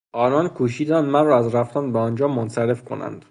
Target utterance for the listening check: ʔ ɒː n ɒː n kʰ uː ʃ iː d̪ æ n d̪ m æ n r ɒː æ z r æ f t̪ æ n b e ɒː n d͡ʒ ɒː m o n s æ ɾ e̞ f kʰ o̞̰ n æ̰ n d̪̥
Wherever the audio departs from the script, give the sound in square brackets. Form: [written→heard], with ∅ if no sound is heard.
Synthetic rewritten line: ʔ ɒː n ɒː n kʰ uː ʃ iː d̪ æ n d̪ m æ n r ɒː æ z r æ f t̪ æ n b e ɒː n d͡ʒ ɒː m o n s æ ɾ e̞ f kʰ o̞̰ n æ̰ n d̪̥